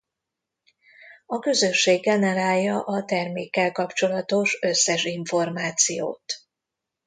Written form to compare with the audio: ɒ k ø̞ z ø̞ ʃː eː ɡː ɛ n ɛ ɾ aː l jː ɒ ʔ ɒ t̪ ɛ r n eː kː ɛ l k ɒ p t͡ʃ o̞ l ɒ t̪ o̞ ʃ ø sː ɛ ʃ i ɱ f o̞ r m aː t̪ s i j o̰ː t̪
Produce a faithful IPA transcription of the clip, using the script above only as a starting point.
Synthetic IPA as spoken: ɒ k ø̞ z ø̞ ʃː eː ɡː ɛ n ɛ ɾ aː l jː ɒ ʔ ɒ t̪ ɛ r m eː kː ɛ l k ɒ p t͡ʃ o̞ l ɒ t̪ o̞ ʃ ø sː ɛ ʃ i ɱ f o̞ r m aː t̪ s i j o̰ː t̪

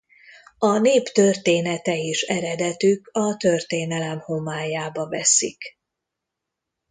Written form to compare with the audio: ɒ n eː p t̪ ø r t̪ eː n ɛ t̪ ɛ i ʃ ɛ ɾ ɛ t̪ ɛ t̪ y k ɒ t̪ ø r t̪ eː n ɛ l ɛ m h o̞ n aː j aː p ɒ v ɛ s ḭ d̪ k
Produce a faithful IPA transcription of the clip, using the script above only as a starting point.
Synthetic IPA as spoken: ɒ n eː p t̪ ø r t̪ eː n ɛ t̪ ɛ i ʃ ɛ ɾ ɛ d̪ ɛ t̪ y k ɒ t̪ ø r t̪ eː n ɛ l ɛ m h o̞ m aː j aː b ɒ v ɛ s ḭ k

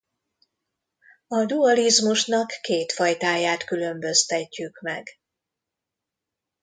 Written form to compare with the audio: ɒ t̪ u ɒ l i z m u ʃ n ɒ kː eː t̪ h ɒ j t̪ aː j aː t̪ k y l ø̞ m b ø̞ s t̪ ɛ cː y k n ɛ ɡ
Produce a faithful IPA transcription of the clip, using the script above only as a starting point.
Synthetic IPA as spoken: ɒ d̪ u ɒ l i z m u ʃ n ɒ kː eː t̪ f ɒ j t̪ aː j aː t̪ k y l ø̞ m b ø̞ s t̪ ɛ cː y k m ɛ ɡ

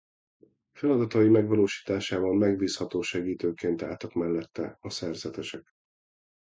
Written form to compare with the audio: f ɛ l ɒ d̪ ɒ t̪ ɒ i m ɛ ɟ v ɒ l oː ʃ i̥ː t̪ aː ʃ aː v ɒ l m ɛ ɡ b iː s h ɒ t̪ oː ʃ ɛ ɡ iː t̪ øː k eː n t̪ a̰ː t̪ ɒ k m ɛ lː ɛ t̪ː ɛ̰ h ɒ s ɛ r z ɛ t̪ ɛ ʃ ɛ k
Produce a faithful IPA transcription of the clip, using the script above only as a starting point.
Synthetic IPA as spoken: f ɛ l ɒ d̪ ɒ t̪ ɒ i m ɛ ɡ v ɒ l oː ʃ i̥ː t̪ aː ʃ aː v ɒ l m ɛ ɡ b iː s h ɒ t̪ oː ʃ ɛ ɡ iː t̪ øː k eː n t̪ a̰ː t̪ ɒ k m ɛ lː ɛ t̪ː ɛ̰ ɒ s ɛ r z ɛ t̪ ɛ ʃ ɛ k

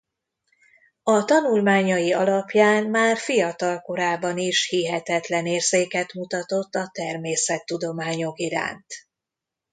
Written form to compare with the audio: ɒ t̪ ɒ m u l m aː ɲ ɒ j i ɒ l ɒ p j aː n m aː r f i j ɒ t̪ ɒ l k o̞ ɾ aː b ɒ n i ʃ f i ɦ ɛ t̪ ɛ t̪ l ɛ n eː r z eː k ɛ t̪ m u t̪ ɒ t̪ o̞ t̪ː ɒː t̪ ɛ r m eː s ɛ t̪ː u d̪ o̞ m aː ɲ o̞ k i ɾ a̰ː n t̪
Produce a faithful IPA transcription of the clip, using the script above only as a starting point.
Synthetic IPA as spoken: ɒ t̪ ɒ n u l m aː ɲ ɒ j i ɒ l ɒ p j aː n m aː r f i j ɒ t̪ ɒ l k o̞ ɾ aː b ɒ n i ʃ h i ɦ ɛ t̪ ɛ t̪ l ɛ n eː r z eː k ɛ t̪ m u t̪ ɒ t̪ o̞ t̪ː ɒ t̪ ɛ r m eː s ɛ t̪ː u d̪ o̞ m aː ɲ o̞ k i ɾ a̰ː n t̪

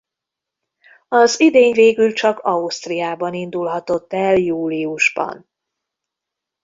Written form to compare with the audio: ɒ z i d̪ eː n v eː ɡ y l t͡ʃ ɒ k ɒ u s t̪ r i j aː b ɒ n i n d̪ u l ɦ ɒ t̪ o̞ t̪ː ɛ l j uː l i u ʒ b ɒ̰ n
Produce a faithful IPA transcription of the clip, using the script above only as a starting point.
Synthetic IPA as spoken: ɒ z i d̪ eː ɲ v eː ɡ y l t͡ʃ ɒ k ɒ u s t̪ r i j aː b ɒ n i n d̪ u l ɦ ɒ t̪ o̞ t̪ː ɛ l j uː l i u ʒ b ɒ̰ n

